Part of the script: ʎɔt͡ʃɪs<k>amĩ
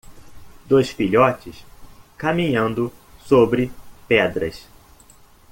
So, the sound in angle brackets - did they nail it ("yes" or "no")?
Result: yes